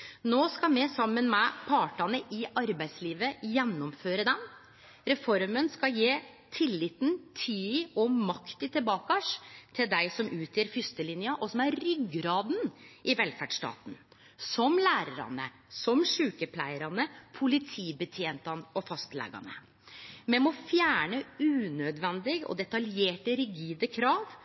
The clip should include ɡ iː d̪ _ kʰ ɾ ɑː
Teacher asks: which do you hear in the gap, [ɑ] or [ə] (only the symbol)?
ə